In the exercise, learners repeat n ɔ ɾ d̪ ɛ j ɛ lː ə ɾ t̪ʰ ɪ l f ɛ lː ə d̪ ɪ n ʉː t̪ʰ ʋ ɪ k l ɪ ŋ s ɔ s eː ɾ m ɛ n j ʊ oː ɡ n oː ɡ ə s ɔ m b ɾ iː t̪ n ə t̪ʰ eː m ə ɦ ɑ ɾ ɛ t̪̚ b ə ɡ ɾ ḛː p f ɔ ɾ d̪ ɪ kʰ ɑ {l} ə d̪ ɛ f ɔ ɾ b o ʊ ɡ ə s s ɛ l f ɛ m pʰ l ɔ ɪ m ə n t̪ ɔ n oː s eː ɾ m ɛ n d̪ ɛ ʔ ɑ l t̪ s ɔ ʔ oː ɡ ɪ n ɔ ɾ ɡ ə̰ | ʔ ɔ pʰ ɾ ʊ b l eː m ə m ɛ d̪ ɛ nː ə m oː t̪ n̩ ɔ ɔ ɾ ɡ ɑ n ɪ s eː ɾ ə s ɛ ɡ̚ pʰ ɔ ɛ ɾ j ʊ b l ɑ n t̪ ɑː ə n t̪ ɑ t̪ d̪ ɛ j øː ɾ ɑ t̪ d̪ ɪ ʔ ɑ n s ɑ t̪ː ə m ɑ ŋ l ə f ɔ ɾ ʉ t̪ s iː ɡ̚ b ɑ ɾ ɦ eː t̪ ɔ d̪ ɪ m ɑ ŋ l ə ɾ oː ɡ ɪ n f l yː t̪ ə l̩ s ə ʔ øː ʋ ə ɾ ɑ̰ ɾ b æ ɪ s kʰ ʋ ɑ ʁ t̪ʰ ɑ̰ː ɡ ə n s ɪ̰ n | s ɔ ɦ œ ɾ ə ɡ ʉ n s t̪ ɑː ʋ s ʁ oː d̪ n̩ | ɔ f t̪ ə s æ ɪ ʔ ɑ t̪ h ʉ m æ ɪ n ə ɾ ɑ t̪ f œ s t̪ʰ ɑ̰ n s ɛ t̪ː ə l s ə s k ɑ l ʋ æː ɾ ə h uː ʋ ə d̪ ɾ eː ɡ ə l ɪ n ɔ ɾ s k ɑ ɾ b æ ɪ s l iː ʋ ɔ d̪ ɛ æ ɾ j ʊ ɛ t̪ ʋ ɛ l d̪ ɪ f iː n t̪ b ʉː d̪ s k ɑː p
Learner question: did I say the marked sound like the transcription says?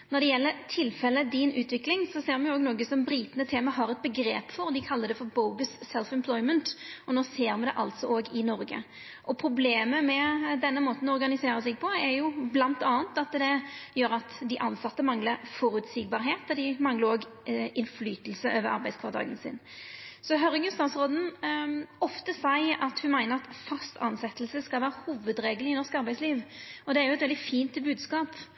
no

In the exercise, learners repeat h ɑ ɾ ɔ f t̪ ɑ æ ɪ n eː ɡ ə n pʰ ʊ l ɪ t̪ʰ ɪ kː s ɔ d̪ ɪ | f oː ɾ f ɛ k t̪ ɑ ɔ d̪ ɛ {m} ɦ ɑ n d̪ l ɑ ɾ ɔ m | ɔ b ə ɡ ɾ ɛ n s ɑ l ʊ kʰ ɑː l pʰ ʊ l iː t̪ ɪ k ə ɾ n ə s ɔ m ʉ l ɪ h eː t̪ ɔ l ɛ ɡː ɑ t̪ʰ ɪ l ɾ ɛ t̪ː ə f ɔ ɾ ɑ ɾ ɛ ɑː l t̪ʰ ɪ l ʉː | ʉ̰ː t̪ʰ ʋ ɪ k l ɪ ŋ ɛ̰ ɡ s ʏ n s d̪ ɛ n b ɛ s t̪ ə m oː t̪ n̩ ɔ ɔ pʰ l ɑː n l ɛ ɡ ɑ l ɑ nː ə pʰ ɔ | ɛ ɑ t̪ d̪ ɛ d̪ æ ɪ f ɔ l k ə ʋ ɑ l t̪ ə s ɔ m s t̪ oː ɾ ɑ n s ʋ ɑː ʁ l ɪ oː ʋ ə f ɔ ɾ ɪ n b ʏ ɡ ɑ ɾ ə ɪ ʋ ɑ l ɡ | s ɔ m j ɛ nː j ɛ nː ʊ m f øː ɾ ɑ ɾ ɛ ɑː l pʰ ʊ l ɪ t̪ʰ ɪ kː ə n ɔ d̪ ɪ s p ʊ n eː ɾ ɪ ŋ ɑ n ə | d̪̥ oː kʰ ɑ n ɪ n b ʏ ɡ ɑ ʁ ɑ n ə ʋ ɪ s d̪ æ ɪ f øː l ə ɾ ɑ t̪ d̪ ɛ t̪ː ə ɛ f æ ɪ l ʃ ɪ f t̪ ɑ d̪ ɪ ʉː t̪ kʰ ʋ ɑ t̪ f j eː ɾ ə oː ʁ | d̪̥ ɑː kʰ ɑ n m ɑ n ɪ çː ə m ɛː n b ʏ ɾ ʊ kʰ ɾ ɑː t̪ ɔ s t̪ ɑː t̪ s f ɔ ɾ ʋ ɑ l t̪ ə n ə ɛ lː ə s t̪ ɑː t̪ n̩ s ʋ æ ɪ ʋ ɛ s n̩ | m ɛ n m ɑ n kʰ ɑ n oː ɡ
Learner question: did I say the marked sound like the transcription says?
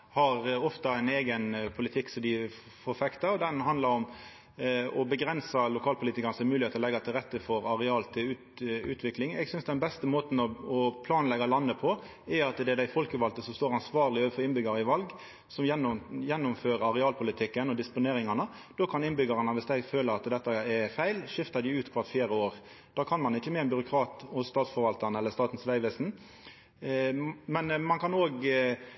no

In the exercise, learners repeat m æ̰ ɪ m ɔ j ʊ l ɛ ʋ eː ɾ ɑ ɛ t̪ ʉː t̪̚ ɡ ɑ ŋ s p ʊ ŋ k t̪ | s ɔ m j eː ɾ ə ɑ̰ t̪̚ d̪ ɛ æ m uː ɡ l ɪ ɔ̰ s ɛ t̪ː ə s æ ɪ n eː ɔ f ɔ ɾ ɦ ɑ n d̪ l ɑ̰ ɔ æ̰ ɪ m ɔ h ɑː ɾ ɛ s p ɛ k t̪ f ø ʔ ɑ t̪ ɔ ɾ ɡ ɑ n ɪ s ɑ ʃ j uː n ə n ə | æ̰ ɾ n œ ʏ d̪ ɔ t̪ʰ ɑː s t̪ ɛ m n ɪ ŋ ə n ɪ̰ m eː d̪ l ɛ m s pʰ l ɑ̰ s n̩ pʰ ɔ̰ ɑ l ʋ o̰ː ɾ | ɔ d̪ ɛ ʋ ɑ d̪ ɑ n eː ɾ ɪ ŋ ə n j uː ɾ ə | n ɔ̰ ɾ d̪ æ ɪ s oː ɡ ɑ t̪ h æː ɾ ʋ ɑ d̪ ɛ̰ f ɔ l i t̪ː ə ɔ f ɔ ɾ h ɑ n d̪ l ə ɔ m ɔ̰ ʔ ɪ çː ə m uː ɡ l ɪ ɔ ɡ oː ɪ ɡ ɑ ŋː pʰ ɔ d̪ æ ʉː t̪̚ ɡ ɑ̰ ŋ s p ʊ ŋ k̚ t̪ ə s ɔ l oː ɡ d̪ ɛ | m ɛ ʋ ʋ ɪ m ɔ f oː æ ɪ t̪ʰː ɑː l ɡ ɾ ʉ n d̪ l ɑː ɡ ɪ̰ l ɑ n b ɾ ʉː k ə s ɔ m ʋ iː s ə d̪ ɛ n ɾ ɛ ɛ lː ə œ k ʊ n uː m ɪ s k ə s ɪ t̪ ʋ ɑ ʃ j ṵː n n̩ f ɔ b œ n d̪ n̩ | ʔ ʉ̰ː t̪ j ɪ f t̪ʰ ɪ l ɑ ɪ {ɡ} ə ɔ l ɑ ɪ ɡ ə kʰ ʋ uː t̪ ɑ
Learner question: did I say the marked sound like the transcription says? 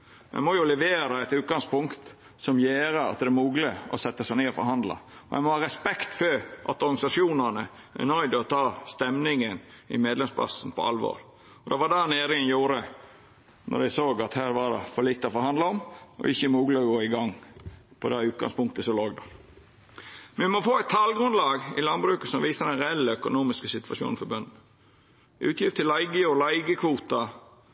yes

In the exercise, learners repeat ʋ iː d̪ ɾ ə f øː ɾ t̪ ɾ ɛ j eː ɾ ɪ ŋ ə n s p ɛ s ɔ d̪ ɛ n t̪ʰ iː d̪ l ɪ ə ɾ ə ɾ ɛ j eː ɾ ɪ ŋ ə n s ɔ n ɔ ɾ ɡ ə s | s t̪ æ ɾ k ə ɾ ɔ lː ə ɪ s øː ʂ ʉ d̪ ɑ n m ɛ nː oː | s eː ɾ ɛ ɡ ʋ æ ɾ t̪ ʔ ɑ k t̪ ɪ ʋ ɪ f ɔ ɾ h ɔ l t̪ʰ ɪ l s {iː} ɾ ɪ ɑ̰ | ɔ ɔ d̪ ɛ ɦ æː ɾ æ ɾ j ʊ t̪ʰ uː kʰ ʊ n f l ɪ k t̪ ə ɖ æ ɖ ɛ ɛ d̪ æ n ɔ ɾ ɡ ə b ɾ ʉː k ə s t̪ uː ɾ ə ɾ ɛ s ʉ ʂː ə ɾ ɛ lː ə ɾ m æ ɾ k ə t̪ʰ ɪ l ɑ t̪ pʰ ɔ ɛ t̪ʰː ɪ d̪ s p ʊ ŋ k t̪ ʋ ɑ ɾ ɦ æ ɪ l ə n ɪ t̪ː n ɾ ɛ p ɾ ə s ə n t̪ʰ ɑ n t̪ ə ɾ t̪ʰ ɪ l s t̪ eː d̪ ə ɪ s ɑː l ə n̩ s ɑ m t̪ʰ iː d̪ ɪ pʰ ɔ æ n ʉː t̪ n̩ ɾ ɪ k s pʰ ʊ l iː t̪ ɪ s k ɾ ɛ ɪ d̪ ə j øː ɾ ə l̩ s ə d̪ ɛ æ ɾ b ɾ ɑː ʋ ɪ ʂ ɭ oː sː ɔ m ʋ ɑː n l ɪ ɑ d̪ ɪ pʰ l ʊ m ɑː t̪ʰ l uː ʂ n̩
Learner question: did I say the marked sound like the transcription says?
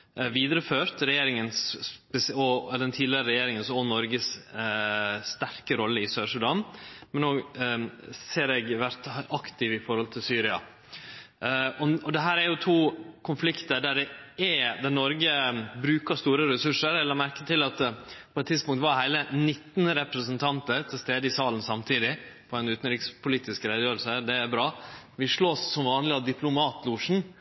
no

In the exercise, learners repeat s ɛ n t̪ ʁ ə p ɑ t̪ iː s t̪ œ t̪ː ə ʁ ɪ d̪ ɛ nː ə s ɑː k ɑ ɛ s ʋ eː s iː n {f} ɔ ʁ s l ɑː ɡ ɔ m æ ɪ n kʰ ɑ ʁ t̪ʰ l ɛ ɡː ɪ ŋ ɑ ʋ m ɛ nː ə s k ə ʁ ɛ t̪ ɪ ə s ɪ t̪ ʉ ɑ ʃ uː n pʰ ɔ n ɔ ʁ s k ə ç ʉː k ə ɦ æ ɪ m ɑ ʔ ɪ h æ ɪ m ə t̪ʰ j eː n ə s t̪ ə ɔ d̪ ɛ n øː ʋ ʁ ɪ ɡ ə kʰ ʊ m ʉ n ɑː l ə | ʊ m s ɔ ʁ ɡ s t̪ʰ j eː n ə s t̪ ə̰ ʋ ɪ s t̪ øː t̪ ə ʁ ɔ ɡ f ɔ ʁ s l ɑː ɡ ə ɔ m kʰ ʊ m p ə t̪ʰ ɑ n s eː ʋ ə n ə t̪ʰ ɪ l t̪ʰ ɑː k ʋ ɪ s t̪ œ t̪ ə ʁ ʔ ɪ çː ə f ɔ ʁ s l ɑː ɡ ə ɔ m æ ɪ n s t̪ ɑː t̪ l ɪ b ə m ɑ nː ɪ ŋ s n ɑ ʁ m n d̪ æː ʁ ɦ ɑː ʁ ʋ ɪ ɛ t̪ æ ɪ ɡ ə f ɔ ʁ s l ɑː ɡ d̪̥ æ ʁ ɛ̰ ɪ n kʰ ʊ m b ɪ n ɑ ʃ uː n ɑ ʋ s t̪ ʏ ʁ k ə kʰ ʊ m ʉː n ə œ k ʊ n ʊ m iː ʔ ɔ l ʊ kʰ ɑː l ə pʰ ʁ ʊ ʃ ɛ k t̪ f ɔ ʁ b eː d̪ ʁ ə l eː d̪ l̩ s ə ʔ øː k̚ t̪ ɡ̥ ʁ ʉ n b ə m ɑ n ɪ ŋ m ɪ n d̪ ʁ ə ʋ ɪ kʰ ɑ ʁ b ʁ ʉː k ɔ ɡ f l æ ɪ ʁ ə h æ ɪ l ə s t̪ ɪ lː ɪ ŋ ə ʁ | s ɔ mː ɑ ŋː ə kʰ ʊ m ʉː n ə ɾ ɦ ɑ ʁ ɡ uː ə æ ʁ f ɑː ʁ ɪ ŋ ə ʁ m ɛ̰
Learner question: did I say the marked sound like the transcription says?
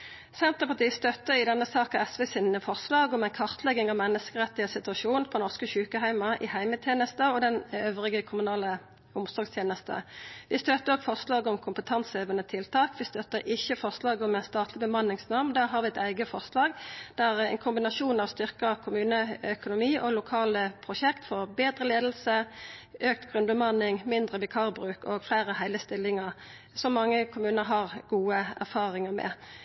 yes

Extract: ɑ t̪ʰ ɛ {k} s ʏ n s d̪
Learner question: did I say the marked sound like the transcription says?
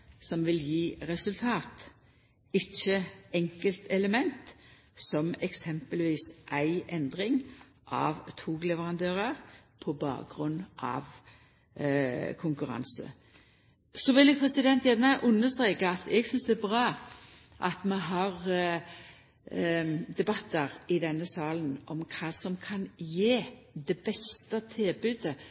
no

